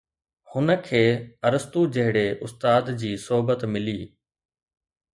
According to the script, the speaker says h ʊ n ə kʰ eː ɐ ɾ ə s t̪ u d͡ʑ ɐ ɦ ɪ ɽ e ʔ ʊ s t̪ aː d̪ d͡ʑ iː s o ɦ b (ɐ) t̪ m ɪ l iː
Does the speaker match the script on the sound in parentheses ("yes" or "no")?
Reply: no